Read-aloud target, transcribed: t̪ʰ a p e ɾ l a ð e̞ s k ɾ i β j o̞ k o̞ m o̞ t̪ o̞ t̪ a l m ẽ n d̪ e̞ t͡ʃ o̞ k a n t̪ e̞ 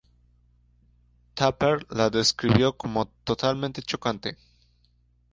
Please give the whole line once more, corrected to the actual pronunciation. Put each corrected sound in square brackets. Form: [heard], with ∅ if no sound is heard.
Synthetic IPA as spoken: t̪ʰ a p e ɾ l a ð e̞ s k ɾ i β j o̞ k o̞ m o̞ t̪ o̞ t̪ a l m ẽ n [t̪] e̞ t͡ʃ o̞ k a n t̪ e̞